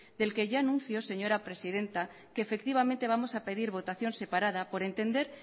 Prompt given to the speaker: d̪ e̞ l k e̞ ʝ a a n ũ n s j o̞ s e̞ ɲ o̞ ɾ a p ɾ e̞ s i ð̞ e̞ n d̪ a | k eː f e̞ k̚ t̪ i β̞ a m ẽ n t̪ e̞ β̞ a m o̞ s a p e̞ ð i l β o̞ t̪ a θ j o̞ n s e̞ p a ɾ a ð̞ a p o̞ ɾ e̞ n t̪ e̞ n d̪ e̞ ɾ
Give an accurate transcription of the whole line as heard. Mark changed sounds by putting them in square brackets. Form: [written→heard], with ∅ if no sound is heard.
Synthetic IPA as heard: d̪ e̞ l k e̞ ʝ a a n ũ n [s→θ] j o̞ s e̞ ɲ o̞ ɾ a p ɾ e̞ s i ð̞ e̞ n [d̪→t̪] a | k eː f e̞ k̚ t̪ i β̞ a m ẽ n t̪ e̞ β̞ a m o̞ s a p e̞ ð i [l→ɾ] β o̞ t̪ a θ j o̞ n s e̞ p a ɾ a ð̞ a p o̞ ɾ e̞ n t̪ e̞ n d̪ e̞ ɾ

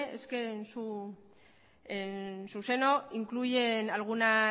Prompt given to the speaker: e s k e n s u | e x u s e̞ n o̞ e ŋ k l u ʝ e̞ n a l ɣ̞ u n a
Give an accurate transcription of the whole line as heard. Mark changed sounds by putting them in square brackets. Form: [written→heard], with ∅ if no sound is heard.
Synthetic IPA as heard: e s k e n s u | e [x→s] u s e̞ n o̞ [e→i] ŋ k l u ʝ e̞ n a l ɣ̞ u n a

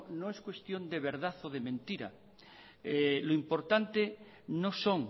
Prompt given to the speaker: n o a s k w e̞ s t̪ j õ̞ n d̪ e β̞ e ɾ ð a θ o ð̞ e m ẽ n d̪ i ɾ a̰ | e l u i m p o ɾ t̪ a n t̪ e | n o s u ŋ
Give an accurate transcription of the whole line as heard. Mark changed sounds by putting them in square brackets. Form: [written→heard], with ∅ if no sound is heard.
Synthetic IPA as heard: n o [a→e] s k w e̞ s t̪ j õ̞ n d̪ e β̞ e ɾ ð a θ o ð̞ e m ẽ n [d̪→t̪] i ɾ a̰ | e l [u→o] i m p o ɾ t̪ a n t̪ e | n o s [u→o] ŋ

